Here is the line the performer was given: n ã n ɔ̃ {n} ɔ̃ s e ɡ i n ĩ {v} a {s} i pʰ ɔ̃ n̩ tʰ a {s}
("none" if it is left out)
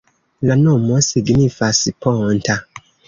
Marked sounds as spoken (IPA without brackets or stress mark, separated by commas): m, f, s, none